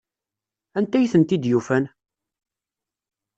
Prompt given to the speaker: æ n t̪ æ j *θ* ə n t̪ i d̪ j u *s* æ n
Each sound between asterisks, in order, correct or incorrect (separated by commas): correct, incorrect